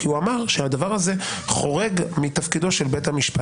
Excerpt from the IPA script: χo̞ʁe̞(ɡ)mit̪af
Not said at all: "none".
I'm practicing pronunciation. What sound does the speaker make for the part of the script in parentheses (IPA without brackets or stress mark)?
ɡ